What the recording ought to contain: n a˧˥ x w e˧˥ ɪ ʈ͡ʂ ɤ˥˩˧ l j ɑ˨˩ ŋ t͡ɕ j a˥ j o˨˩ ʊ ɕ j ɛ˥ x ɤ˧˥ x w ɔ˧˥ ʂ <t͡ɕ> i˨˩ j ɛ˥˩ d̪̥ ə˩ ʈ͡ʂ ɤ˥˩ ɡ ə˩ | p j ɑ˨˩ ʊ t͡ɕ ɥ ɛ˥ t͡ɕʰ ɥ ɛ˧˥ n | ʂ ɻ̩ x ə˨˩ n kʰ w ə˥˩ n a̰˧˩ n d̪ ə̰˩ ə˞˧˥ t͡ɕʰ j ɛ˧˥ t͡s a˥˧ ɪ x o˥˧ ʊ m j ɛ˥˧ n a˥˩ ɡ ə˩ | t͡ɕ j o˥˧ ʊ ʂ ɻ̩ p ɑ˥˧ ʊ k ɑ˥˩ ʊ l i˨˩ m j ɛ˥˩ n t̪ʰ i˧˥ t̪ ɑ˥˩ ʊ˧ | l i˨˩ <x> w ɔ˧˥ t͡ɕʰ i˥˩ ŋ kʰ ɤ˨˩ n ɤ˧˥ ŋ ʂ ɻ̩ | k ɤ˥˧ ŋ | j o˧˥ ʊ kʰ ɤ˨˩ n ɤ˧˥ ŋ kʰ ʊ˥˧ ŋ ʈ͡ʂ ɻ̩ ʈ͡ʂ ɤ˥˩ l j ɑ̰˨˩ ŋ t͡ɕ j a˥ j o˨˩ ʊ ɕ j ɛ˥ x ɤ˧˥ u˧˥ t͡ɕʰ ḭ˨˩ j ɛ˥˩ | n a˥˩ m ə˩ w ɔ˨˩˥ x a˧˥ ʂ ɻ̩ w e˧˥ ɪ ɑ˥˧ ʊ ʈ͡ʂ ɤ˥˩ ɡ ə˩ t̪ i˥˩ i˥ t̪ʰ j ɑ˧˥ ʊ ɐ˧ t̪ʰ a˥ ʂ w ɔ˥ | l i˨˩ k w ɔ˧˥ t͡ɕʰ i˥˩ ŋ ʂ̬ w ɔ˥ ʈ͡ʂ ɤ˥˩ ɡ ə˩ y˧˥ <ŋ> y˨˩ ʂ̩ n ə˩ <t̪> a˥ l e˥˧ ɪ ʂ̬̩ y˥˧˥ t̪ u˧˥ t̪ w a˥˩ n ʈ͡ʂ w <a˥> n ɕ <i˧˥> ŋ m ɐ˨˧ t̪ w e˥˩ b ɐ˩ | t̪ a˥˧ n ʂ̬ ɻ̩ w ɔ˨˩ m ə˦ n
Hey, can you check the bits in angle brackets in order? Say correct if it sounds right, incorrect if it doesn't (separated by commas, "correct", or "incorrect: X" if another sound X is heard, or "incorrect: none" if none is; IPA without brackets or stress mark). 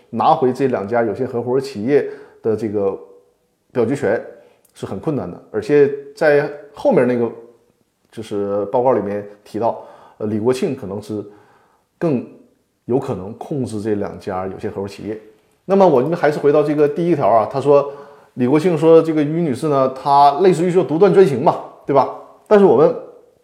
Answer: incorrect: t͡ɕʰ, incorrect: k, incorrect: n, incorrect: t̪ʰ, correct, correct